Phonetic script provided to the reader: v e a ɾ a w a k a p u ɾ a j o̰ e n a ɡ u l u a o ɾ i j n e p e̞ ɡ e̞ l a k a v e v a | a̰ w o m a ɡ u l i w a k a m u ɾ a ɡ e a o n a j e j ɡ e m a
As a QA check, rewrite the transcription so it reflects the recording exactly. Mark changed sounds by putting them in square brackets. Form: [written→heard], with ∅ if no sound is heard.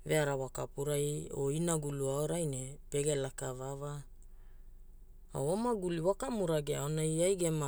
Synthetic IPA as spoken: v e a ɾ a w a k a p u ɾ a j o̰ [e→i] n a ɡ u l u a o ɾ [i→a] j n e p e̞ ɡ e̞ l a k a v [e→a] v a | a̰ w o m a ɡ u l i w a k a m u ɾ a ɡ e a o n a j [e→a] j ɡ e m a